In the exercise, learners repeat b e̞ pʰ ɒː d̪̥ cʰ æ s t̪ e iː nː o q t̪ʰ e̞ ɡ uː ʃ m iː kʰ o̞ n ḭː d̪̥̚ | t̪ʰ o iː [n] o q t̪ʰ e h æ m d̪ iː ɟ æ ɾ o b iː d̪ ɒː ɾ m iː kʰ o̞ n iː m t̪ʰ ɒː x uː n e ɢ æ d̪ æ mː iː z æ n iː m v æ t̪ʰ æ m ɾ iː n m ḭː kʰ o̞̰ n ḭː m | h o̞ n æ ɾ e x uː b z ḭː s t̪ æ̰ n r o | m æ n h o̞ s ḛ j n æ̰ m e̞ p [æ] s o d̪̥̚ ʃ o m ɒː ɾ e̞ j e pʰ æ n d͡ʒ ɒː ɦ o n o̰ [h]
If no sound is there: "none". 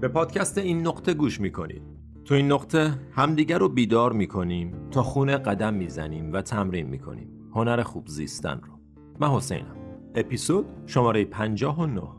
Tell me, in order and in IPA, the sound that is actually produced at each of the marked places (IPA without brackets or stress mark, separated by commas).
nː, i, h